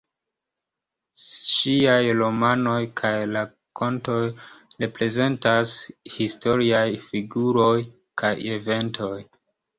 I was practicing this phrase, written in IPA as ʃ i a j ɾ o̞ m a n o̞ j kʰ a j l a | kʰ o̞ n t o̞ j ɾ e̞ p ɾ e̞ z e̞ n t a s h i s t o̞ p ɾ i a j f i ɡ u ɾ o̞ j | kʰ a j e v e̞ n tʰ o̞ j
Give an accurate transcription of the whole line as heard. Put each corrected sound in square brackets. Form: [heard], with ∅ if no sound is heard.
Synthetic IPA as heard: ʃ i a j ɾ o̞ m a n o̞ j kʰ a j l a | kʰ o̞ n t o̞ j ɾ e̞ p ɾ e̞ z e̞ n t a s h i s t o̞ [∅] ɾ i a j f i ɡ u ɾ o̞ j | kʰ a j e v e̞ n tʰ o̞ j